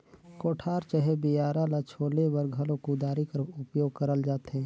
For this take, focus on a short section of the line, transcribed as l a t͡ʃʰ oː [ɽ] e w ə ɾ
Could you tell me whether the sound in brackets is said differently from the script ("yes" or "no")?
yes